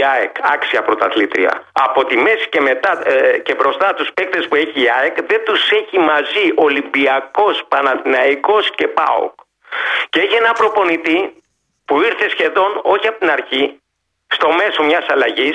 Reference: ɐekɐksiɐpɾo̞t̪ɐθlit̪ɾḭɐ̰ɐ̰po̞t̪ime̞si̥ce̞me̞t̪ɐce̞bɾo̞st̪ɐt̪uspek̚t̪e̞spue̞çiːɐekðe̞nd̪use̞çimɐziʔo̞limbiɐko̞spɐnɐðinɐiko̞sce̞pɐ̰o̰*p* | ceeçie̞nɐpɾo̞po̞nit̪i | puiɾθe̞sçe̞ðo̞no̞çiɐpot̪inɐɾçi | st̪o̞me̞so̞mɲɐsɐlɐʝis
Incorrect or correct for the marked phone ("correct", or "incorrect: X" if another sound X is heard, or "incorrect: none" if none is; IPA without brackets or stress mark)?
incorrect: k